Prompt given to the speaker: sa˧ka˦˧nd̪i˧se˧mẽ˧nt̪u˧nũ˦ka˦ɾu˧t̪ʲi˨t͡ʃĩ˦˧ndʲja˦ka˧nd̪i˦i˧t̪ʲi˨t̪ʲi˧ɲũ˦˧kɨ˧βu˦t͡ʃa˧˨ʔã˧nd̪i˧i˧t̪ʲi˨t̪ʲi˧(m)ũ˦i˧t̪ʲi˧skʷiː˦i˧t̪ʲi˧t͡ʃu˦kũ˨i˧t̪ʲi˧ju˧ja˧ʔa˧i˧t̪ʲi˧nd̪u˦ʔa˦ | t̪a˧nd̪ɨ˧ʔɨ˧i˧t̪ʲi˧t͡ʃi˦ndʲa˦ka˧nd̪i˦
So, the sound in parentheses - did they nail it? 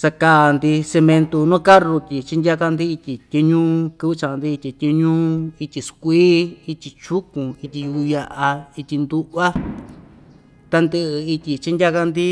no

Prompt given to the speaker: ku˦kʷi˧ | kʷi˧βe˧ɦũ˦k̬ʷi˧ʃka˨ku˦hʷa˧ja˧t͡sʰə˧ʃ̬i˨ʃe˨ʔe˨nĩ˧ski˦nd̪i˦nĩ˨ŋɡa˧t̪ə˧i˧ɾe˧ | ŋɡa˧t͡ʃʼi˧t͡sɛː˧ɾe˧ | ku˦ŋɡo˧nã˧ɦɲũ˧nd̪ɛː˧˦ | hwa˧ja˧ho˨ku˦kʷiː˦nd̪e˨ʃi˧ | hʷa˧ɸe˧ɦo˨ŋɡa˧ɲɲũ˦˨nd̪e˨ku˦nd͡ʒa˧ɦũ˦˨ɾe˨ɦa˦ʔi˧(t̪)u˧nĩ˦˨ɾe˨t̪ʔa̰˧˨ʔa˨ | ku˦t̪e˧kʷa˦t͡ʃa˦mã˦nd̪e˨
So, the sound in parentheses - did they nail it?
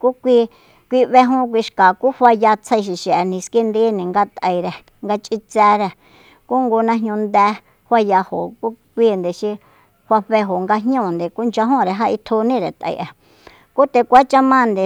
no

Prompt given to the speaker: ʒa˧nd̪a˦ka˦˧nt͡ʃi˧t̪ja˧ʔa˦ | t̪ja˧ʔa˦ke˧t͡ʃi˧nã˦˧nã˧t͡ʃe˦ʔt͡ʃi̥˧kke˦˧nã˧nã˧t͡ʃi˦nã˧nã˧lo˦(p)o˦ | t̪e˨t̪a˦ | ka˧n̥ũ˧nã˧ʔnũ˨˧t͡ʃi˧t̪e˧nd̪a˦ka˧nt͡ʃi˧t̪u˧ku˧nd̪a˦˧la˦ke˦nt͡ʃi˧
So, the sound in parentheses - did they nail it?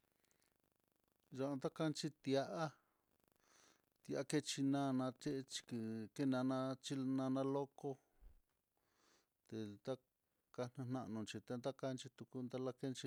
no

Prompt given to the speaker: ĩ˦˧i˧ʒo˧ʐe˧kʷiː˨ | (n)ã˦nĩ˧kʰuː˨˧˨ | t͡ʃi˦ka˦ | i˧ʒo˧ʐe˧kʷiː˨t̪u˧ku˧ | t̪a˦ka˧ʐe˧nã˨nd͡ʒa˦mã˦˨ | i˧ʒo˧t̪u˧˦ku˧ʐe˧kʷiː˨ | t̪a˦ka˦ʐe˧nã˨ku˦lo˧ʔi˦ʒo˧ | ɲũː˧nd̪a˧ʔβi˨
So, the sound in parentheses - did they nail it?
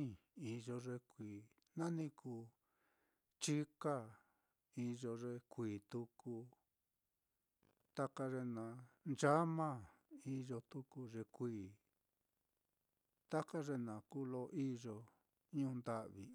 yes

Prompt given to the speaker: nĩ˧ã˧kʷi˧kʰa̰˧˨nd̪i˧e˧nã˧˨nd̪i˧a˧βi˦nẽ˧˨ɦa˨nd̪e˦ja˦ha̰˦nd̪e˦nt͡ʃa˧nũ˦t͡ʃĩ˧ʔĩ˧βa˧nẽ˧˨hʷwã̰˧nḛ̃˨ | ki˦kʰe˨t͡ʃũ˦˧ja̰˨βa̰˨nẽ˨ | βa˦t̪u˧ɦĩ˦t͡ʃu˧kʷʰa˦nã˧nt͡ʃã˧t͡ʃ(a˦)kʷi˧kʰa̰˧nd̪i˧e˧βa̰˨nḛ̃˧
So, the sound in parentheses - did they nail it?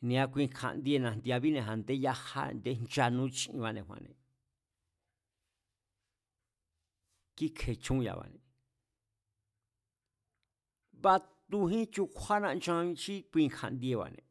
no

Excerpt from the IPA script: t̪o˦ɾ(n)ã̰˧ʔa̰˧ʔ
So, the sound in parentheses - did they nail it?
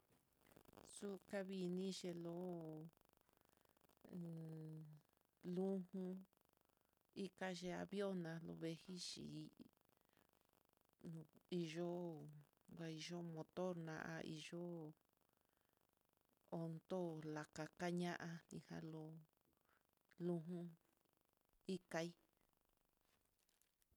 yes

